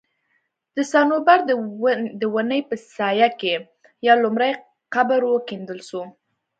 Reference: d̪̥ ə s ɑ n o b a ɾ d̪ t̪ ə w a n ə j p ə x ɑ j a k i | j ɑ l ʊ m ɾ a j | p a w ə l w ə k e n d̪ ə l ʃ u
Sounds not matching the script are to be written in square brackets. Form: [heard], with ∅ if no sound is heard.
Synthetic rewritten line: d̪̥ ə s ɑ n o b a ɾ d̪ [d̪] ə w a n ə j p ə [s] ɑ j a k [e] | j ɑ l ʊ m ɾ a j | [q] a [b] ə [ɾ] w ə k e n d̪ ə l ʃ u